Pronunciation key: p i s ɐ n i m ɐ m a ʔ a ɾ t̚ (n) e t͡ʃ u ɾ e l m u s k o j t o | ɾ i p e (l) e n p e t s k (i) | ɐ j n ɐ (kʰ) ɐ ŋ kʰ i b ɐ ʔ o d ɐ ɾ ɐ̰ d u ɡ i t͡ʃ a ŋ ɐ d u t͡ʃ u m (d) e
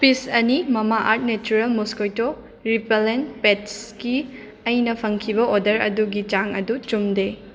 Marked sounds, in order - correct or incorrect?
correct, correct, correct, incorrect, correct

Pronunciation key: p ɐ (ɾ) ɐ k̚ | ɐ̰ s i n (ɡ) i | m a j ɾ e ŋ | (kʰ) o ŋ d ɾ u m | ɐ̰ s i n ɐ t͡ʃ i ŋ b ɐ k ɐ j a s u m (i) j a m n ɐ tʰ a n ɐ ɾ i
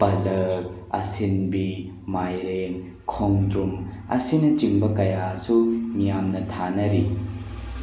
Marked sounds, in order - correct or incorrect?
incorrect, incorrect, correct, correct

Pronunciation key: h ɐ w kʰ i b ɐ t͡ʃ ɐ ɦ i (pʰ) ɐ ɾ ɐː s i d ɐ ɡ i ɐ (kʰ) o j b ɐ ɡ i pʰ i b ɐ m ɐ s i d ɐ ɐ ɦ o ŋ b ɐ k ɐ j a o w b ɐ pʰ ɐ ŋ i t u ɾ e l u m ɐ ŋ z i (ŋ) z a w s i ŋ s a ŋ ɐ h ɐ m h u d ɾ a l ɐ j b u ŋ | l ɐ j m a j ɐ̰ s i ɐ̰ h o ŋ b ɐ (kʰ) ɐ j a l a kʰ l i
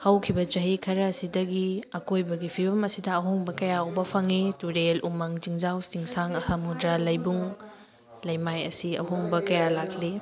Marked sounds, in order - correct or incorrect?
incorrect, incorrect, correct, incorrect

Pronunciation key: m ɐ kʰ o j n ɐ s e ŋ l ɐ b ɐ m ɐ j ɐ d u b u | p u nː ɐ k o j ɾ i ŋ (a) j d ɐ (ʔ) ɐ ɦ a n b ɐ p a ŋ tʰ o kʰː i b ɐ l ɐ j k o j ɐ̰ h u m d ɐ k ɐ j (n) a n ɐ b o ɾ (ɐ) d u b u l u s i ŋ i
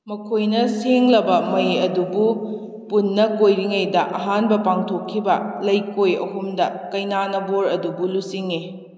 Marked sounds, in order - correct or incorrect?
incorrect, correct, correct, correct

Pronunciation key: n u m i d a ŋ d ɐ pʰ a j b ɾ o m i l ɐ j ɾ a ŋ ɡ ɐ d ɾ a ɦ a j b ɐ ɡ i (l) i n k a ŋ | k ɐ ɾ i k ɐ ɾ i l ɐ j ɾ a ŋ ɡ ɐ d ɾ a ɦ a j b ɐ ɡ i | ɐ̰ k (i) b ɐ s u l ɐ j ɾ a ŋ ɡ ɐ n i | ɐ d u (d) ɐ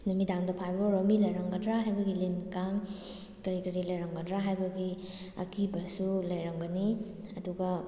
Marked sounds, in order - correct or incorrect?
correct, correct, incorrect

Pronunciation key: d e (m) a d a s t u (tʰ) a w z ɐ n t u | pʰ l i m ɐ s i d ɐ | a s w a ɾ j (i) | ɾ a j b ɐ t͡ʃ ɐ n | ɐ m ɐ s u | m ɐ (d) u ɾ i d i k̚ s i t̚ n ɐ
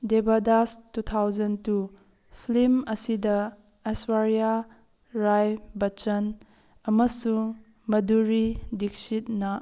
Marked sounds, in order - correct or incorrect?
incorrect, correct, incorrect, correct

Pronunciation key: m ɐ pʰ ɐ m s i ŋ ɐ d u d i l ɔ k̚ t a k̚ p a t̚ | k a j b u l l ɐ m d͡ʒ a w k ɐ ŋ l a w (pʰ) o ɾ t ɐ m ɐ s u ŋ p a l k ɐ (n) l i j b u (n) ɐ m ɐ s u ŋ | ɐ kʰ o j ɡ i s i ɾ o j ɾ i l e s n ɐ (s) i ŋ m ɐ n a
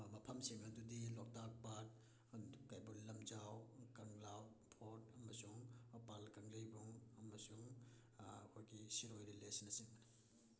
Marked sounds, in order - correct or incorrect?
correct, incorrect, incorrect, correct

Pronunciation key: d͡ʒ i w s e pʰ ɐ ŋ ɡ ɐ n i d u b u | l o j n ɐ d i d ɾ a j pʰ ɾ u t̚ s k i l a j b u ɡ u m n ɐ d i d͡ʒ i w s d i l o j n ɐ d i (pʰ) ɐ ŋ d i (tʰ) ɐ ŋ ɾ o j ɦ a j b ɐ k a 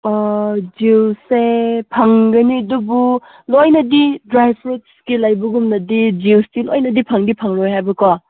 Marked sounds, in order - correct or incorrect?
correct, incorrect

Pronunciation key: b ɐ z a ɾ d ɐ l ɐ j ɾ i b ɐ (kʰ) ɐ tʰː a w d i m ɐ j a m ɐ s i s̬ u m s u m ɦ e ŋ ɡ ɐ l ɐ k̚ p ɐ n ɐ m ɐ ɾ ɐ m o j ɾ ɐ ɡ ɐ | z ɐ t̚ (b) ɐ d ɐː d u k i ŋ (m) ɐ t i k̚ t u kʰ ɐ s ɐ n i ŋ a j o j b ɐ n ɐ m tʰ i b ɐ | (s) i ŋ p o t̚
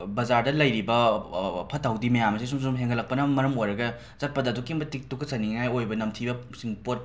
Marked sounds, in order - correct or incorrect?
incorrect, incorrect, incorrect, correct

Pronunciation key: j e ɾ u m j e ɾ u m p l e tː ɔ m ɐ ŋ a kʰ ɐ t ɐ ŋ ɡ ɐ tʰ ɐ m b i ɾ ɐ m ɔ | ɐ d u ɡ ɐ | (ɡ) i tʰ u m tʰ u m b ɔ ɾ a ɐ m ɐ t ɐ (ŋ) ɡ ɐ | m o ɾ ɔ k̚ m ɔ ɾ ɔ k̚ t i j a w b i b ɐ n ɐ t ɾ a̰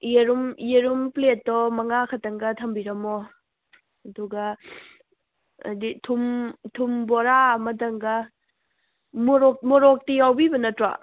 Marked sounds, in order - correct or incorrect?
incorrect, correct

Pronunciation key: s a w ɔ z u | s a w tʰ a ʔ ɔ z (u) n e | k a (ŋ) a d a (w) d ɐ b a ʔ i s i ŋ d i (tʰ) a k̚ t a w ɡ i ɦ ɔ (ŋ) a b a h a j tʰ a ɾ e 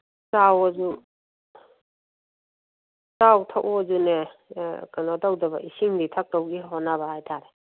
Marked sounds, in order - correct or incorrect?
correct, incorrect, correct, correct, incorrect

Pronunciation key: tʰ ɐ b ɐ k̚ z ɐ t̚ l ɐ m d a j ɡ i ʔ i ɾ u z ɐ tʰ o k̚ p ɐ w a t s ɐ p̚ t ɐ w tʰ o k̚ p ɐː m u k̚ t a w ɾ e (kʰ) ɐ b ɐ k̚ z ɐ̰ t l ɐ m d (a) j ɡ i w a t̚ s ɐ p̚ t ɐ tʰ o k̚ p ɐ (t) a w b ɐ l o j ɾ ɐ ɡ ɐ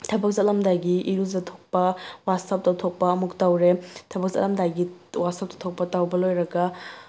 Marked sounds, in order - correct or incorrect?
incorrect, correct, correct

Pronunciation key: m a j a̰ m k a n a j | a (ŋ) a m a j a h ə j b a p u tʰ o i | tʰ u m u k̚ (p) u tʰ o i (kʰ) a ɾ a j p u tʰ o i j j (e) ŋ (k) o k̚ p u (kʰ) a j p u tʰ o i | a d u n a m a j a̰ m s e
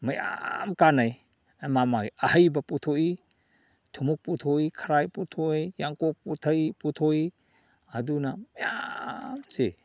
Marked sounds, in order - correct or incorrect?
incorrect, correct, correct, incorrect, correct, incorrect

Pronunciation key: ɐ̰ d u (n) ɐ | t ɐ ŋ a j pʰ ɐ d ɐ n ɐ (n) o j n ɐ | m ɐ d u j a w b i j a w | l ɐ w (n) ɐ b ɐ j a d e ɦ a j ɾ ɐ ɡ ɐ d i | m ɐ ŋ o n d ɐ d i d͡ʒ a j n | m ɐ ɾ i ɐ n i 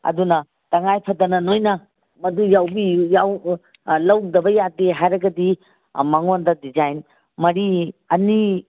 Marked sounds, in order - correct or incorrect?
correct, correct, incorrect

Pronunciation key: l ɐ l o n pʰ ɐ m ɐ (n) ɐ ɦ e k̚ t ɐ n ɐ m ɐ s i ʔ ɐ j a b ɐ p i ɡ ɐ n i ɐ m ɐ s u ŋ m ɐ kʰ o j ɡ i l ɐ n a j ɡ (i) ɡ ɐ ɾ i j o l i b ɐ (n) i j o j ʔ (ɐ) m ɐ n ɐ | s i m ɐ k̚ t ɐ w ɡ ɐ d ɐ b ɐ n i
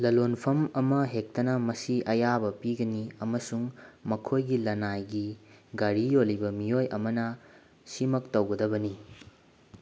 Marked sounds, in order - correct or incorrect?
incorrect, correct, incorrect, correct

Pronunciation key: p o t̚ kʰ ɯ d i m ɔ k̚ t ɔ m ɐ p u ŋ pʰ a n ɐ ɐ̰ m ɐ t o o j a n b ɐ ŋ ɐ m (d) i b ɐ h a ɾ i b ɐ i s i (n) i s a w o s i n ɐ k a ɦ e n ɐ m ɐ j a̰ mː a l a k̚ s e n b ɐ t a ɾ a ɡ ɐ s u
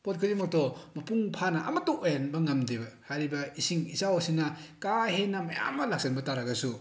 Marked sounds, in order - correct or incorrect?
correct, incorrect

